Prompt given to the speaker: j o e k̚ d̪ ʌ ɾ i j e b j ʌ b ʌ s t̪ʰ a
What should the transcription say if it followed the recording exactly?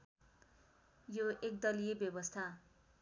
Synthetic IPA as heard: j o e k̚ d̪ ʌ l i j e b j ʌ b ʌ s t̪ʰ a